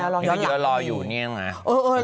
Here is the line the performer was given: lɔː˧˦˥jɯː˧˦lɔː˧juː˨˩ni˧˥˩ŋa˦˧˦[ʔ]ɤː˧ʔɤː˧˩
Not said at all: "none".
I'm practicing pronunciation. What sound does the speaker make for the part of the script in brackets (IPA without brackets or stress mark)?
ʔ